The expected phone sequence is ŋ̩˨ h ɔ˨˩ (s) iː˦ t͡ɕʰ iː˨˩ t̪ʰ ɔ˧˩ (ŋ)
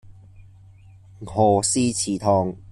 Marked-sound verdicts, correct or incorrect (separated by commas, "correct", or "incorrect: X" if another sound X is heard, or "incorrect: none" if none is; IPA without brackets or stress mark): correct, correct